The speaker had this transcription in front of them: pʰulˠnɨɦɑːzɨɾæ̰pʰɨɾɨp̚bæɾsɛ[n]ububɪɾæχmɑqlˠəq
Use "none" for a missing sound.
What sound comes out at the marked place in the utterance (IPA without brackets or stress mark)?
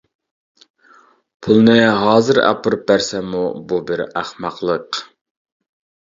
m